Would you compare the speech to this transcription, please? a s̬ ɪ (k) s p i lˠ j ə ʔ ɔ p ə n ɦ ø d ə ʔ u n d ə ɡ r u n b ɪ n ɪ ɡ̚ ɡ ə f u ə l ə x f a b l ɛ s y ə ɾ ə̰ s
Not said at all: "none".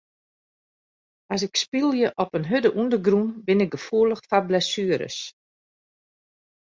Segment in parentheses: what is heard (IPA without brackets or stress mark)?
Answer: k